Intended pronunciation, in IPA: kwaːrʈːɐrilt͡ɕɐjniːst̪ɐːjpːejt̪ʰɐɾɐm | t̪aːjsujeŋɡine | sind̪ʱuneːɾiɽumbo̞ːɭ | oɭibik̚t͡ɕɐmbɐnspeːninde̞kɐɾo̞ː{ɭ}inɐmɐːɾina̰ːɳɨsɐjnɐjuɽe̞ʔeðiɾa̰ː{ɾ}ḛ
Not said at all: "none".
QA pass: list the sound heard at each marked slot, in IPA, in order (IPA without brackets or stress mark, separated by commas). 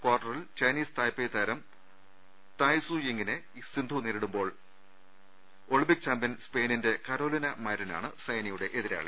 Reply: l, ɭ